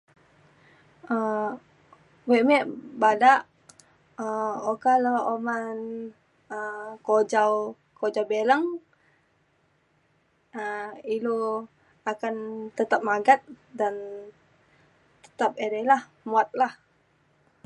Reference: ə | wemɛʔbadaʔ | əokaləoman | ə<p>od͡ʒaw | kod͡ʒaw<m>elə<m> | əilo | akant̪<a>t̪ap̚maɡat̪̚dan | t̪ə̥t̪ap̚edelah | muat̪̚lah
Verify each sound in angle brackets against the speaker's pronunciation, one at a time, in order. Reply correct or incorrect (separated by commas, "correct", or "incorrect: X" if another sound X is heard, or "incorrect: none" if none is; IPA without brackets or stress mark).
incorrect: k, incorrect: b, incorrect: ŋ, incorrect: ə